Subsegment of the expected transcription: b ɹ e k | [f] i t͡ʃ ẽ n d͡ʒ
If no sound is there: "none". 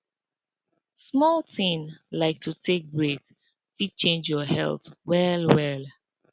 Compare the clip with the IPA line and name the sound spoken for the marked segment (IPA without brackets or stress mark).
f